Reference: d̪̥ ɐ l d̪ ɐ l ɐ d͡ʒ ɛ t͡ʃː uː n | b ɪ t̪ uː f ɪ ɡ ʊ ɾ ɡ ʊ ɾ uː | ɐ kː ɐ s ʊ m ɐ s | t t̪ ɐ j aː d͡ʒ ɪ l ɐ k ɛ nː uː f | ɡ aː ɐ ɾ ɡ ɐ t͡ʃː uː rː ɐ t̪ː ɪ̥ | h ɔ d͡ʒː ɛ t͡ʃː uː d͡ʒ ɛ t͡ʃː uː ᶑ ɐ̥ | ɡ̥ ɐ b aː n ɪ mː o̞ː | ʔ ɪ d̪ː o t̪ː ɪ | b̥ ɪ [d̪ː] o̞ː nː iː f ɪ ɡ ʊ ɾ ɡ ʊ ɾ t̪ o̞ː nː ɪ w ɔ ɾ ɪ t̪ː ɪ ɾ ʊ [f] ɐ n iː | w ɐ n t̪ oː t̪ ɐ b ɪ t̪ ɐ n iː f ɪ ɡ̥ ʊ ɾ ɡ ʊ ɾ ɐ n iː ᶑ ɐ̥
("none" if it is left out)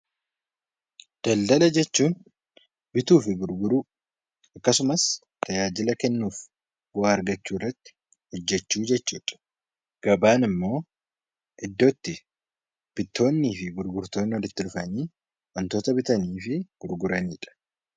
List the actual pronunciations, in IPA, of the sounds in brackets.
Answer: t̪ː, f

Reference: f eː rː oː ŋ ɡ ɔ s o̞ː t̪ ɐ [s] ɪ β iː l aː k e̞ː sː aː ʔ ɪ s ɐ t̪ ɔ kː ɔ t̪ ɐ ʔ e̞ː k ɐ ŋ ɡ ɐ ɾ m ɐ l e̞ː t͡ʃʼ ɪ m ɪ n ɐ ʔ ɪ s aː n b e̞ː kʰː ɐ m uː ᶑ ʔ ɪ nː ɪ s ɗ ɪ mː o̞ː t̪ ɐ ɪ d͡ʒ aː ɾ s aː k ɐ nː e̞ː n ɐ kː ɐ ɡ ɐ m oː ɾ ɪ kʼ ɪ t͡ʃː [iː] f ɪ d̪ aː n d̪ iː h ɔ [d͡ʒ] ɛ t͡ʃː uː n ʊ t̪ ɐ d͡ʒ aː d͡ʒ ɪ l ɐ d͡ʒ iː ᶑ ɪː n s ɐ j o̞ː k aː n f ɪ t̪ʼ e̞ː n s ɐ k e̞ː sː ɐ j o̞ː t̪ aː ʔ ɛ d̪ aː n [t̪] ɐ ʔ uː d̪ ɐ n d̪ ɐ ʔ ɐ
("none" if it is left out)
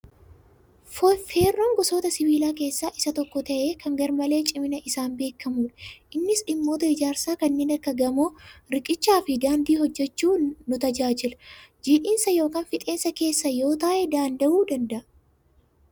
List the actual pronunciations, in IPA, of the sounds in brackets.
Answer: s, aː, d͡ʒː, d̪

